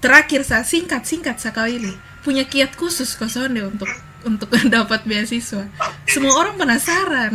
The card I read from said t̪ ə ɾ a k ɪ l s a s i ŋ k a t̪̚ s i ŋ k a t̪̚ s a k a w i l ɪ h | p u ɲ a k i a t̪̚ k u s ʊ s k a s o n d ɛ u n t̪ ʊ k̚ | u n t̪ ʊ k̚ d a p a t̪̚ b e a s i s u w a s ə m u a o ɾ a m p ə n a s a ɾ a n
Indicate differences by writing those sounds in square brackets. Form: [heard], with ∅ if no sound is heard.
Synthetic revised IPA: t̪ ə ɾ a k ɪ [r] s a s i ŋ k a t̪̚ s i ŋ k a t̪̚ s a k a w i l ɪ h | p u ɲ a k i a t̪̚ k u s ʊ s k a s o n d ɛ u n t̪ ʊ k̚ | u n t̪ ʊ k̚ d a p a t̪̚ b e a s i s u w a s ə m u a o ɾ a [ŋ] p ə n a s a ɾ a n